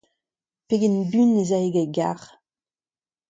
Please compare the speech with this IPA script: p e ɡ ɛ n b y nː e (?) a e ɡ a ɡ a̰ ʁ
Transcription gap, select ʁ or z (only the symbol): z